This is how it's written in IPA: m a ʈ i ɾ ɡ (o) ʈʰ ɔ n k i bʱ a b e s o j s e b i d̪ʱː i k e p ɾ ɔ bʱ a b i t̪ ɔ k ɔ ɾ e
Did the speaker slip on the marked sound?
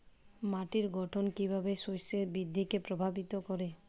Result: yes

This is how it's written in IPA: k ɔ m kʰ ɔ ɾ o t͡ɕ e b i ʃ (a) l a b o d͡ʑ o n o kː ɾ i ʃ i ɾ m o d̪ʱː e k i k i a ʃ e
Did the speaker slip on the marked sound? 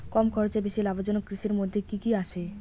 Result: yes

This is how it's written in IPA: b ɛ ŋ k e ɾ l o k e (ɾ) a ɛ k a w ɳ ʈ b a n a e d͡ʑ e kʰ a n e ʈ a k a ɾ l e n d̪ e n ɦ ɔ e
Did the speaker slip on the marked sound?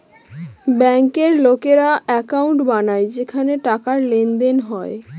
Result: no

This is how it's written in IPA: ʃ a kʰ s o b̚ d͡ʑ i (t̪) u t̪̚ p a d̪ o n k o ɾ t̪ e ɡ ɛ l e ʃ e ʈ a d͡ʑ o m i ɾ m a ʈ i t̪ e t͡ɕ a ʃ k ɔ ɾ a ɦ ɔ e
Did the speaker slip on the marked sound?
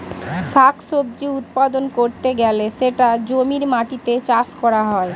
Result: yes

